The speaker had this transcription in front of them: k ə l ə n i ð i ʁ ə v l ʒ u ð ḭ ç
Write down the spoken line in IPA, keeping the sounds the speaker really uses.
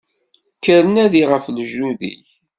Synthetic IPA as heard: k ə ɾ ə n æ ð i ʁ ə f l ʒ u ð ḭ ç